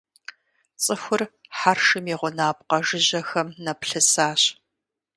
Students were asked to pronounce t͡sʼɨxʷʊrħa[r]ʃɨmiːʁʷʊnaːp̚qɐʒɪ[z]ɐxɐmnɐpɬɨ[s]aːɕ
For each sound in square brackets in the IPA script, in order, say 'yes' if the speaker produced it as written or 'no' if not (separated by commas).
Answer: yes, no, yes